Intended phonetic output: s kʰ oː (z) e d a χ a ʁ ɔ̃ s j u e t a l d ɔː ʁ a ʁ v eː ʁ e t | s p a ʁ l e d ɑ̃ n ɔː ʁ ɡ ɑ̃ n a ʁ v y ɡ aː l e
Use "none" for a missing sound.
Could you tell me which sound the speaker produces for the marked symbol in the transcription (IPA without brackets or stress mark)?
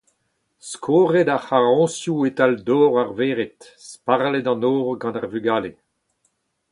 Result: ʁ